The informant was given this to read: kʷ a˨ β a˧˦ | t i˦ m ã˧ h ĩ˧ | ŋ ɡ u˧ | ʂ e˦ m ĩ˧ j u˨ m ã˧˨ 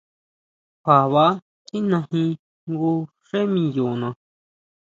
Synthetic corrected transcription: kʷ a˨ β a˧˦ | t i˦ n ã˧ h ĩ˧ | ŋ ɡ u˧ | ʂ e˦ m ĩ˧ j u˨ n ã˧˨